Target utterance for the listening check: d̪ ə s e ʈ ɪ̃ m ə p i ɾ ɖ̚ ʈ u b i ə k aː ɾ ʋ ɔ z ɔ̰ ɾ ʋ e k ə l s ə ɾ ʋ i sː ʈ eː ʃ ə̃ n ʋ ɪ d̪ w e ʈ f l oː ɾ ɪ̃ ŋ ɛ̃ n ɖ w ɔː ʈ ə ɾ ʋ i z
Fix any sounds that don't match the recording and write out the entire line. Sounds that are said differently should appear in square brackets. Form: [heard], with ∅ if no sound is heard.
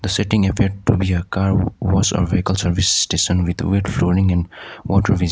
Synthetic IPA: d̪ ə s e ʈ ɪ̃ [ŋ] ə p i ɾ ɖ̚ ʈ u b i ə k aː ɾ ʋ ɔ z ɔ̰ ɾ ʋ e k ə l s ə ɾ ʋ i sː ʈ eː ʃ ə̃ n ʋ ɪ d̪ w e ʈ f l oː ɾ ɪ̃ ŋ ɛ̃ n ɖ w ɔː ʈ ə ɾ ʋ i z